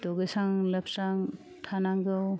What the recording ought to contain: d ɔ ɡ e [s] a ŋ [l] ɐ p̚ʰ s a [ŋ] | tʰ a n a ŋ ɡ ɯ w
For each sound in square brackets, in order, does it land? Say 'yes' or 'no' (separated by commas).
yes, yes, yes